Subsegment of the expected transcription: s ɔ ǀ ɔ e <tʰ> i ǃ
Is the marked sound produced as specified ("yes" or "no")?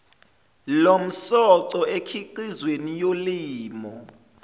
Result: no